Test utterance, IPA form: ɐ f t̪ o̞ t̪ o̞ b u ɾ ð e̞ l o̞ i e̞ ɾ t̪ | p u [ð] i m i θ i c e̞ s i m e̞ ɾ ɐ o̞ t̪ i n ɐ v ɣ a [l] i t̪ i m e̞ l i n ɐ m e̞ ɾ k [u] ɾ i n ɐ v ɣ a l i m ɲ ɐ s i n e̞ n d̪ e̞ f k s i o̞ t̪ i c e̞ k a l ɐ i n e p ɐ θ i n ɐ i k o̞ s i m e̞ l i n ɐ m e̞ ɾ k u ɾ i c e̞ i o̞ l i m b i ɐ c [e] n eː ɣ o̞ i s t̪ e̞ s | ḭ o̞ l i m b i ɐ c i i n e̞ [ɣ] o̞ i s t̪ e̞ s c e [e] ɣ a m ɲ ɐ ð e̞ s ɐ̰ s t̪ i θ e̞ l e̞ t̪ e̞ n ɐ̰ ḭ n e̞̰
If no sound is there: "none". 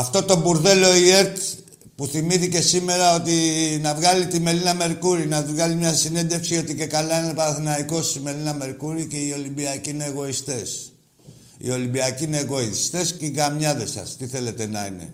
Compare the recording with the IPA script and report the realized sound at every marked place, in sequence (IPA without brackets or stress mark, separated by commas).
θ, l, u, i, ɣ, i